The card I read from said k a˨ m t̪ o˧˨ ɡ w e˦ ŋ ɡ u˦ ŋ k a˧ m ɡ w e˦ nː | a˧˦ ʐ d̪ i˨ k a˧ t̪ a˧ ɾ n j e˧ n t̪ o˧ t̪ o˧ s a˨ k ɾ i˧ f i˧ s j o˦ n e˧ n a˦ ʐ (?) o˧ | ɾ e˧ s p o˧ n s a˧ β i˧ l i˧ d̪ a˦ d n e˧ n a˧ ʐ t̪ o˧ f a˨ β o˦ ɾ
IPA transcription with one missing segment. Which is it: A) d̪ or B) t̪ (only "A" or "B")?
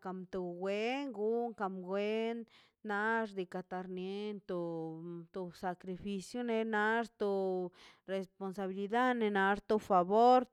B